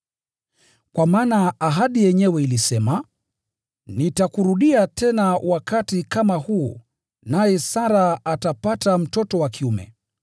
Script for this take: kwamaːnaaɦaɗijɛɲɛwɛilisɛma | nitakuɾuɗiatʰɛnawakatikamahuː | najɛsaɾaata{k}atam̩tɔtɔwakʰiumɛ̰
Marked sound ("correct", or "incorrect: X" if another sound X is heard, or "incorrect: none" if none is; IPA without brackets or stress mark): incorrect: p